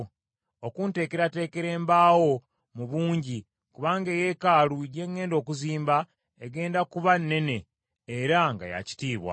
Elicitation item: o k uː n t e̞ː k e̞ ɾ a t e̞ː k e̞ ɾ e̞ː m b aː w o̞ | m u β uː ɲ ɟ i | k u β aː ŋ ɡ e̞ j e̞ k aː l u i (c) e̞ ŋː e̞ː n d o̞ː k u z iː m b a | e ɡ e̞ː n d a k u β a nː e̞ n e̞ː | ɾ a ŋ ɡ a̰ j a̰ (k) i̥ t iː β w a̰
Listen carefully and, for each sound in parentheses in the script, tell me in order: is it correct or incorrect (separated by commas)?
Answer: incorrect, incorrect